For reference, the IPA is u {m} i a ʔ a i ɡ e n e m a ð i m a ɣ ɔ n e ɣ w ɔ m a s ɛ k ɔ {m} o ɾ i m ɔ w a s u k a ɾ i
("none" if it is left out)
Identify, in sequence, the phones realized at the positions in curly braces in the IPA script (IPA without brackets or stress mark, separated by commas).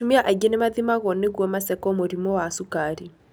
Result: m, m